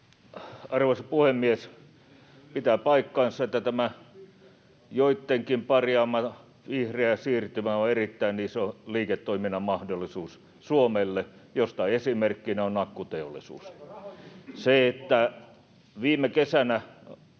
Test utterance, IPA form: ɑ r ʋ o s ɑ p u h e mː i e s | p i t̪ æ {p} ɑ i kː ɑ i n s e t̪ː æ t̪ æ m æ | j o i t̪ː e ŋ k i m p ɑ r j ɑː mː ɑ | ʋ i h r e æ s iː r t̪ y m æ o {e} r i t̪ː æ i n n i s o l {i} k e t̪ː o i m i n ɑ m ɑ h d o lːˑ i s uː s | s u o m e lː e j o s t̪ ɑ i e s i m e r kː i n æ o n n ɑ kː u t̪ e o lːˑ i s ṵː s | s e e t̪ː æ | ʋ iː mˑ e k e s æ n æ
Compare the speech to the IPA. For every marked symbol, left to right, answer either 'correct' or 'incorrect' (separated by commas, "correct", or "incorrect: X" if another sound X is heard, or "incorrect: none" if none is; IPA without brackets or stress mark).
correct, correct, incorrect: iː